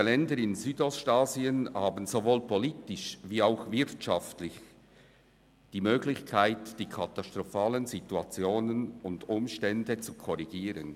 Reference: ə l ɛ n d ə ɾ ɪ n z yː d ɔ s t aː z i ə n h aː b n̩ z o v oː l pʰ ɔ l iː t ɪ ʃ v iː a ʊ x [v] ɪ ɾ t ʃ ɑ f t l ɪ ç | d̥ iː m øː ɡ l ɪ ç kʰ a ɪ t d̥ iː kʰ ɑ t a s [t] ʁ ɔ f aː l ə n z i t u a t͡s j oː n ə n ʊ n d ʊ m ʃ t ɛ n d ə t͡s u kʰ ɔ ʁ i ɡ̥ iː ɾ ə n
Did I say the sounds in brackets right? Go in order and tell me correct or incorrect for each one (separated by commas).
correct, correct